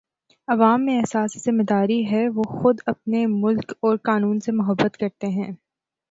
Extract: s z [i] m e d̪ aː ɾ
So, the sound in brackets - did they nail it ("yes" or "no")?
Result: no